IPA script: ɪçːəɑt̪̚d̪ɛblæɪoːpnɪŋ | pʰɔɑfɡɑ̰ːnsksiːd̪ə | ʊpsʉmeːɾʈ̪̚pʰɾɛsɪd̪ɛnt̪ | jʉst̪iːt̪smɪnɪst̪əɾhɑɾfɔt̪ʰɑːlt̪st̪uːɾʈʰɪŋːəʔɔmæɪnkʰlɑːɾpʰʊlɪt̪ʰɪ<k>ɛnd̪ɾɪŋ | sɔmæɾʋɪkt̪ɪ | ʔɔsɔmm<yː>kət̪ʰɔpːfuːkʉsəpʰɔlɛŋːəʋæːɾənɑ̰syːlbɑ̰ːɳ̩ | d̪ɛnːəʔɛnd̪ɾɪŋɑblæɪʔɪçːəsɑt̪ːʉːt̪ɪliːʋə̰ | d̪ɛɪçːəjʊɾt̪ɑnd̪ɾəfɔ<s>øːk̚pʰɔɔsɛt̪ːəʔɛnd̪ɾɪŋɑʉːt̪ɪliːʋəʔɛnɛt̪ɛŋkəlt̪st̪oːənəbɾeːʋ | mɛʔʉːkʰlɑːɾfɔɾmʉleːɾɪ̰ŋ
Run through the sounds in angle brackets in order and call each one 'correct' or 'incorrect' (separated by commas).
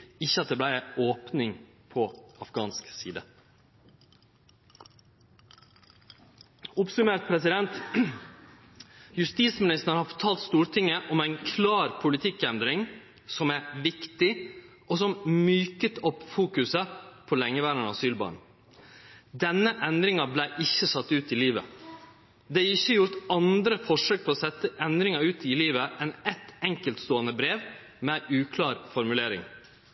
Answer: correct, correct, incorrect